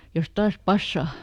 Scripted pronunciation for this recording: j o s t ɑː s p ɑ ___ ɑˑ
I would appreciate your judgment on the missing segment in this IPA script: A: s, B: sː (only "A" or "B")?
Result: B